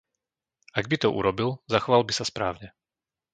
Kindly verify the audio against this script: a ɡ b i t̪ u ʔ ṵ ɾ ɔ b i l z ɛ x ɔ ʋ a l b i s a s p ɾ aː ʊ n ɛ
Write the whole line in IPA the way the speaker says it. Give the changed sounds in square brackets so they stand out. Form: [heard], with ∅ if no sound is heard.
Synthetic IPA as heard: a ɡ b i t̪ [ɔ] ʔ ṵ ɾ ɔ b i l z [a] x ɔ ʋ a l b i s a s p ɾ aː ʊ [ɲ] ɛ